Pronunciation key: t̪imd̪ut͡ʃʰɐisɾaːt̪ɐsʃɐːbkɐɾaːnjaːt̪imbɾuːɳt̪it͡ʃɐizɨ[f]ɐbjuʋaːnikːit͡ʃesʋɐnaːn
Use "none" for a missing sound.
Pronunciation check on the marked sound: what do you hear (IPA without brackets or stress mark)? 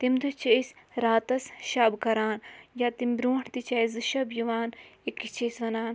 ʃ